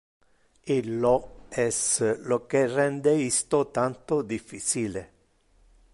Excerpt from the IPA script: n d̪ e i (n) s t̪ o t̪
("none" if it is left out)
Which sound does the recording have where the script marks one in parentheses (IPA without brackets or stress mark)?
none